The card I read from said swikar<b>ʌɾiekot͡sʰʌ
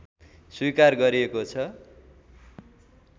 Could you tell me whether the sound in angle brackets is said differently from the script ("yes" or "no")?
yes